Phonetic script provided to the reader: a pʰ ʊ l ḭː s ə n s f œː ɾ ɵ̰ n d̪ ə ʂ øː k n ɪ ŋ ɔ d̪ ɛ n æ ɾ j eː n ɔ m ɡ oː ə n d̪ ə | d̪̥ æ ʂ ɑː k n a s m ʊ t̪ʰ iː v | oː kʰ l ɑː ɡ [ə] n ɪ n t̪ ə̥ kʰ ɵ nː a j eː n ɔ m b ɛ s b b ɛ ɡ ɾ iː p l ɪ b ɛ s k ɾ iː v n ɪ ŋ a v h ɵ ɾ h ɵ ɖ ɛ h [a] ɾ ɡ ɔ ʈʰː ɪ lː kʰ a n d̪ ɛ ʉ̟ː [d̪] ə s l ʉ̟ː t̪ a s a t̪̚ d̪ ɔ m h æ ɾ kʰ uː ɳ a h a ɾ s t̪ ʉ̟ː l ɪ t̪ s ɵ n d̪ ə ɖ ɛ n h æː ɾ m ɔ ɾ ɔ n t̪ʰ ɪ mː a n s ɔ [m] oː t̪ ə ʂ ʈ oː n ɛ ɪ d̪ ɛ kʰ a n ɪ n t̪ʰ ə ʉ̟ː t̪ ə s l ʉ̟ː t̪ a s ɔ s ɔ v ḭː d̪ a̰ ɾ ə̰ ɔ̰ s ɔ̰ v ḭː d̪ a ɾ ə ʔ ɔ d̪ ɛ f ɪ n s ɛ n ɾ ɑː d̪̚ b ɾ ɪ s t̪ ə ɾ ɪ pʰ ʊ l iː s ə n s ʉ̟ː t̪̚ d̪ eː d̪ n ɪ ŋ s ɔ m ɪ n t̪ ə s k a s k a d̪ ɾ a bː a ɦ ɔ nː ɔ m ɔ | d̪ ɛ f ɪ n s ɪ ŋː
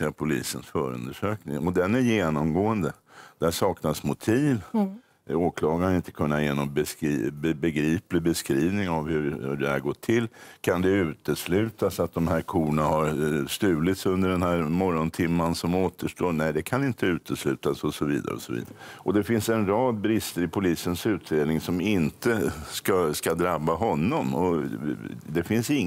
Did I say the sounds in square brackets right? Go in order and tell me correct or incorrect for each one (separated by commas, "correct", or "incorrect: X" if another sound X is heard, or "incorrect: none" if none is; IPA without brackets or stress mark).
incorrect: a, incorrect: æ, incorrect: t̪, correct